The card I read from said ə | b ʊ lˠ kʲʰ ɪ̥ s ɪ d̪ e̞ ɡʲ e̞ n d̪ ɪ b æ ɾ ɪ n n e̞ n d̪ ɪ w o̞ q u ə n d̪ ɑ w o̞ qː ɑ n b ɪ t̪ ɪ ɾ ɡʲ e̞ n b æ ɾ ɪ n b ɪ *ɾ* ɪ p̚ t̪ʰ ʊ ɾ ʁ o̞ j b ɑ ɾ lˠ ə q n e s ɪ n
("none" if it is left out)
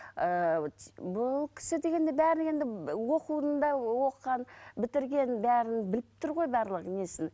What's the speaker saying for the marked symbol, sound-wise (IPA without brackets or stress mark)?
l